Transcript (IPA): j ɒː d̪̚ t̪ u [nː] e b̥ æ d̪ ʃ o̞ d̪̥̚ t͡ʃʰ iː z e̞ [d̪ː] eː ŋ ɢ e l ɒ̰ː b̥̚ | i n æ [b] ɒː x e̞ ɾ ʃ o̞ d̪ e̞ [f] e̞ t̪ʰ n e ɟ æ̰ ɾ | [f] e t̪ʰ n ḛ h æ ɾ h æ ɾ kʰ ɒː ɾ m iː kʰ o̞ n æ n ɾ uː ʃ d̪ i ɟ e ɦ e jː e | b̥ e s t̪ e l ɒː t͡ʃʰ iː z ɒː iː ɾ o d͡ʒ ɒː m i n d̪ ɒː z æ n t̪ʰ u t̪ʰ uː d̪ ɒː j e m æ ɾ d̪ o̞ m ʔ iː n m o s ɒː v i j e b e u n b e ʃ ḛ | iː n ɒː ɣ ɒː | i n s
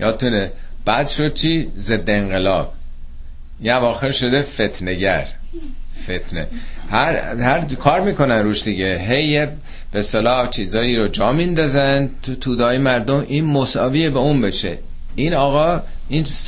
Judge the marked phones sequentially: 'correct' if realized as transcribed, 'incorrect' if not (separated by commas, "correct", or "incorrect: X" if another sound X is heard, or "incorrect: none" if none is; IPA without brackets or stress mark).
incorrect: n, correct, incorrect: v, correct, correct